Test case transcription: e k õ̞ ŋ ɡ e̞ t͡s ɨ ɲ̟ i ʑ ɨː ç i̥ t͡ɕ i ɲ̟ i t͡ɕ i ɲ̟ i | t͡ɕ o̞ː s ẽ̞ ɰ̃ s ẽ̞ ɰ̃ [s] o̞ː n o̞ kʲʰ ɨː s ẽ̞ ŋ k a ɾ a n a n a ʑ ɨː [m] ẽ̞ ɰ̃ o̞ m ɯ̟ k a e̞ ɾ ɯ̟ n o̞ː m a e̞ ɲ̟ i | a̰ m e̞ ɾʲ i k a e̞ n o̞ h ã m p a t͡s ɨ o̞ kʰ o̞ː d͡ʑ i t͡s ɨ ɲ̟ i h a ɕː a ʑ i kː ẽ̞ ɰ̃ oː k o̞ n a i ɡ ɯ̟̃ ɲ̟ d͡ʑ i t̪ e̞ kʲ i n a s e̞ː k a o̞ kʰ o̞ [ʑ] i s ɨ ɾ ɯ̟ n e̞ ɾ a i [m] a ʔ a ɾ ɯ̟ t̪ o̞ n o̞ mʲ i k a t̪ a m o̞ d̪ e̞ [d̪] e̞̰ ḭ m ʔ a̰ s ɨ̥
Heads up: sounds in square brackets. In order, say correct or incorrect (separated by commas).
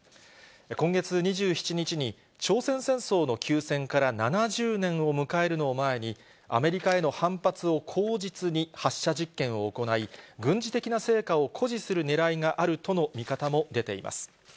correct, incorrect, correct, incorrect, incorrect